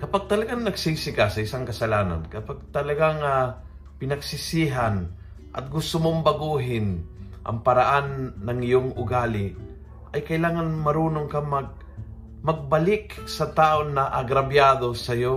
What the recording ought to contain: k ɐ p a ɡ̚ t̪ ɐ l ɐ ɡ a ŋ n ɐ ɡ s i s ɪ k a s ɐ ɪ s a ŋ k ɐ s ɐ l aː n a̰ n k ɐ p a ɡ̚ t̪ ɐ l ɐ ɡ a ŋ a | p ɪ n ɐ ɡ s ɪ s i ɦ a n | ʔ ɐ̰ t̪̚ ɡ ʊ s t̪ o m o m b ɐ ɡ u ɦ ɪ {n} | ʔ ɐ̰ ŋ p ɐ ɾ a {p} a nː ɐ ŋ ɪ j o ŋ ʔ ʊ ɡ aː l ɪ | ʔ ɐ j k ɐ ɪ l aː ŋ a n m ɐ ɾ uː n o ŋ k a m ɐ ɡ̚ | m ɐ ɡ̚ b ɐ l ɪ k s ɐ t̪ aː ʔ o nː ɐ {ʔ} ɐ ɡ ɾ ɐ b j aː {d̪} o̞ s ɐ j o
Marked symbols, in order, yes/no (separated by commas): yes, no, yes, yes